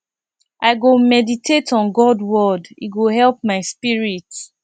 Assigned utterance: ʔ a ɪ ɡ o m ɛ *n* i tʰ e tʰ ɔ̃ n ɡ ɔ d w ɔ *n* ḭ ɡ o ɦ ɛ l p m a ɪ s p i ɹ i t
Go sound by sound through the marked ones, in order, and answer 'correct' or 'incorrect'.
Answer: incorrect: d, incorrect: d

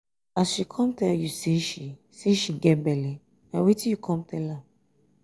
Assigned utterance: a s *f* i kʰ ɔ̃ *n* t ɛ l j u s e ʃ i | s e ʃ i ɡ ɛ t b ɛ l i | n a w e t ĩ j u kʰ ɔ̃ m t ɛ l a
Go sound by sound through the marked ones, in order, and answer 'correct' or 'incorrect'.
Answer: incorrect: ʃ, incorrect: m

